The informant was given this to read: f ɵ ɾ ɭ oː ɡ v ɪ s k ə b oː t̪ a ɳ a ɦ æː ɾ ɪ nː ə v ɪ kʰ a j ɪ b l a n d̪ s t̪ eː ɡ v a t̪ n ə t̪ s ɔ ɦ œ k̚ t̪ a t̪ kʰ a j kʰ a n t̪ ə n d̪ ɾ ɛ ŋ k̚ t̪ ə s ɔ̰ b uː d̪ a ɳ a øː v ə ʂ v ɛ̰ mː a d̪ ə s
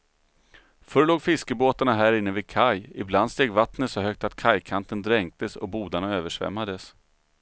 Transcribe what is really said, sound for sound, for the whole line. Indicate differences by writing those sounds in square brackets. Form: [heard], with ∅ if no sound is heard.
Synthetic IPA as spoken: f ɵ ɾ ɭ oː ɡ [f] ɪ s k ə b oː t̪ a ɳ a ɦ æː ɾ ɪ nː ə v ɪ kʰ a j ɪ b l a n d̪ s t̪ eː ɡ v a t̪ n ə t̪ s ɔ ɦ œ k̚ t̪ a t̪ kʰ a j kʰ a n t̪ ə n d̪ ɾ ɛ ŋ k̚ t̪ ə s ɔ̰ b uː d̪ a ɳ a øː v ə ʂ v ɛ̰ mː a d̪ ə s

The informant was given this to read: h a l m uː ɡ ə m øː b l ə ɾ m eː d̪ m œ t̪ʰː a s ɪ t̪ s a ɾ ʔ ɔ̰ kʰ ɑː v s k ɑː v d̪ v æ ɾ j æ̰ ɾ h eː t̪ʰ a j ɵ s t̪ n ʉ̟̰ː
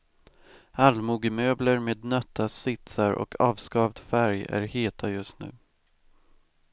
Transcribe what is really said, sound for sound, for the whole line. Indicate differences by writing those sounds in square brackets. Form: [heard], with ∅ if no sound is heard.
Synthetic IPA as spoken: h a l m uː ɡ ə m øː b l ə ɾ m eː d̪ [n] œ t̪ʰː a s ɪ t̪ s a ɾ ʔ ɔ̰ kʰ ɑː v s k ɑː v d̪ [f] æ ɾ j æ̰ ɾ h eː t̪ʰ a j ɵ s t̪ n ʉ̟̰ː

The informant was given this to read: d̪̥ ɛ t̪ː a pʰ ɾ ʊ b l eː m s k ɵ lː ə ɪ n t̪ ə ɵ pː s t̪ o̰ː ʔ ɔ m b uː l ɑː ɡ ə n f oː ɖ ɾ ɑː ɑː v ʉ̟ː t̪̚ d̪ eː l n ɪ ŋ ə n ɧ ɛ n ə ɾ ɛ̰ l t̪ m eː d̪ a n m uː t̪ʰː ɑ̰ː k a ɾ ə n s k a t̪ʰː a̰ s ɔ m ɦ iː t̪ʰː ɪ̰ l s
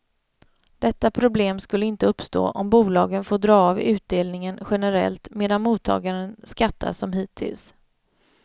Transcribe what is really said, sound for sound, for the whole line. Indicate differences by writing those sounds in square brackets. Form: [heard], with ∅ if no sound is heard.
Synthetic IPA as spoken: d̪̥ ɛ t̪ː a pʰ ɾ ʊ b l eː m s k ɵ lː ə ɪ n t̪ ə ɵ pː s t̪ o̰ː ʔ ɔ m b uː l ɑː ɡ ə n f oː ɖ ɾ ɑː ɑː v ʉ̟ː t̪̚ d̪ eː l n ɪ ŋ ə n ɧ ɛ n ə ɾ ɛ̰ l t̪ m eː d̪ a n m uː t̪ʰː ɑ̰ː [ɡ] a ɾ ə n s k a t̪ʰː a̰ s ɔ m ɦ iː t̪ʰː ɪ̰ l s

